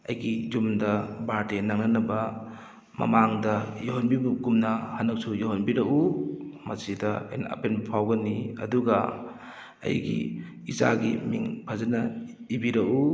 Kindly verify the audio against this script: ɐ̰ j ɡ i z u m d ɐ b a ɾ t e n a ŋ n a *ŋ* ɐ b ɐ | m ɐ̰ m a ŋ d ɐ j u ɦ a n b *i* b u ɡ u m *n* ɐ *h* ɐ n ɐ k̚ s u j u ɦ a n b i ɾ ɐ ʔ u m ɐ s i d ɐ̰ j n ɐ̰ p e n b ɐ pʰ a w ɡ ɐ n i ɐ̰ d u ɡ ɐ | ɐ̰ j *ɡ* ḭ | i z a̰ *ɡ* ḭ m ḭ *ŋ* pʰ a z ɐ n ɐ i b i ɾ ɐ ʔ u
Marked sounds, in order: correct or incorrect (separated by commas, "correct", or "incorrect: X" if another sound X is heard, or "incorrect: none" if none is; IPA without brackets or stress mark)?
incorrect: n, correct, correct, correct, correct, correct, correct